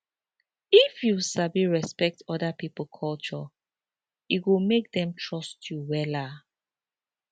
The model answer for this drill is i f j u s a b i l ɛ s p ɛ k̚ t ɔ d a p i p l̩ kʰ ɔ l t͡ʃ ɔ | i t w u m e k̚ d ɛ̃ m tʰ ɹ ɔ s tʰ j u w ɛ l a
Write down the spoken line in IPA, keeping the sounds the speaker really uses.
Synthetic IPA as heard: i f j u s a b i ɹ ɛ s p ɛ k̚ t ɔ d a p i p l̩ kʰ ɔ l t͡ʃ ɔ | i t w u m e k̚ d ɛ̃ m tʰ ɹ ɔ s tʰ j u w ɛ l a